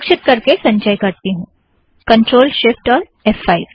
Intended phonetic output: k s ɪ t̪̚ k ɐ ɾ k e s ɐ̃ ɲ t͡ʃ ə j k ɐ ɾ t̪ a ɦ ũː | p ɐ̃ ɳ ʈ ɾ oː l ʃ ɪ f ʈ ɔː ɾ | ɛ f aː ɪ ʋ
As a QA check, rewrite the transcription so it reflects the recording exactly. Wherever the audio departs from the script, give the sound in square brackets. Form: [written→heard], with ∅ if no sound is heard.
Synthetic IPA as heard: k [s→ʃ] ɪ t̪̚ k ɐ ɾ k e s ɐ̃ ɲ t͡ʃ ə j k ɐ ɾ t̪ [a→i] ɦ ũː | [p→k] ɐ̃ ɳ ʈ ɾ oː l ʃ ɪ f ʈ ɔː ɾ | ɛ f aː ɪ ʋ